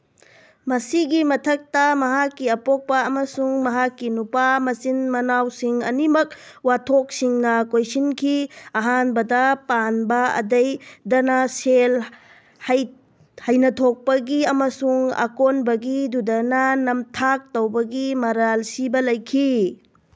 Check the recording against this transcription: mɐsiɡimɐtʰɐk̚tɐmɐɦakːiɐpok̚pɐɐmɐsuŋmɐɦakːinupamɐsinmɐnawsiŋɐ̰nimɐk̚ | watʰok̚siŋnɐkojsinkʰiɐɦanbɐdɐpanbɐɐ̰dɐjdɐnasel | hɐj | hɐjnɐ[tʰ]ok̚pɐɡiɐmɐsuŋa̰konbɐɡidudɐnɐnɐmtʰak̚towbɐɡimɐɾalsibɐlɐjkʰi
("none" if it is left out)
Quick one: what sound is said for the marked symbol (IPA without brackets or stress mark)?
tʰ